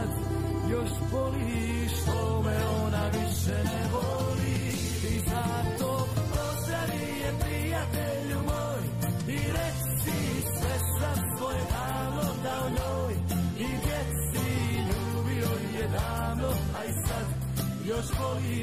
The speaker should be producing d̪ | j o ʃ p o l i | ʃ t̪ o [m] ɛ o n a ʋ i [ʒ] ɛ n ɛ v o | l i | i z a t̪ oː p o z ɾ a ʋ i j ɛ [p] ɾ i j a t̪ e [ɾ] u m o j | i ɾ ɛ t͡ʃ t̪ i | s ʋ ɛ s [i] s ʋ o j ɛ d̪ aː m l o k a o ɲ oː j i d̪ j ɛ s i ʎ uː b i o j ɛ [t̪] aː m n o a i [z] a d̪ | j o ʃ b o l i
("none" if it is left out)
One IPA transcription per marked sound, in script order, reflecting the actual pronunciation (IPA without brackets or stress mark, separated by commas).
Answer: m, ʃ, p, ʎ, a, d̪, s